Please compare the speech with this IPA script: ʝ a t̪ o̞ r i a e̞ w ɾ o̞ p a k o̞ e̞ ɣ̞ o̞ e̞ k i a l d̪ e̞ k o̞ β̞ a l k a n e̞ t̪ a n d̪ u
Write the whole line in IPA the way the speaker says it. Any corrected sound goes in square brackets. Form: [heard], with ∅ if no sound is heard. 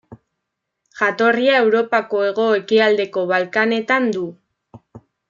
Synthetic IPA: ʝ a t̪ o̞ r i a e̞ w ɾ o̞ p a k o̞ e̞ ɣ̞ o̞ e̞ k i a l d̪ e̞ k o̞ β̞ a l k a n e̞ t̪ a n d̪ u